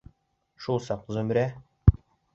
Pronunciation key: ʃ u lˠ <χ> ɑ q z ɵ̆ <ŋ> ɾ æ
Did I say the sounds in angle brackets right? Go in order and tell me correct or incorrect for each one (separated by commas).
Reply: incorrect, incorrect